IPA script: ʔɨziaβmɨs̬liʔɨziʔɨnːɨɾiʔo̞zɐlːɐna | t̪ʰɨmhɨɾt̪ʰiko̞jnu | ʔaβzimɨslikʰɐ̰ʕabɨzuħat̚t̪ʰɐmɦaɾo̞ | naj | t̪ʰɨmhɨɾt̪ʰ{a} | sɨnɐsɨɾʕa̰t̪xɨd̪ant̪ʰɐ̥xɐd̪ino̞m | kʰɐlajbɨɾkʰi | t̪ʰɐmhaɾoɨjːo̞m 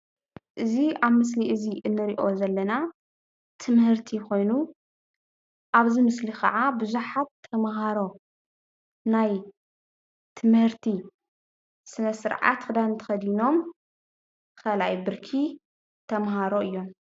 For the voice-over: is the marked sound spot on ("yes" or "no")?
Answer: no